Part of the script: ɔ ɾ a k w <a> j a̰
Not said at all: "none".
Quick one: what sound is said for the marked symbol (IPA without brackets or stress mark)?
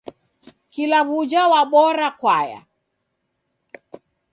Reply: a